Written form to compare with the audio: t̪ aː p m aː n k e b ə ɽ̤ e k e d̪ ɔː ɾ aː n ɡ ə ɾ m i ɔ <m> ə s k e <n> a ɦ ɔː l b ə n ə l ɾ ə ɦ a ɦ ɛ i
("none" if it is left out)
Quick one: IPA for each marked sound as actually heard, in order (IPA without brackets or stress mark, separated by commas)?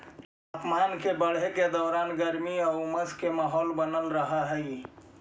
m, m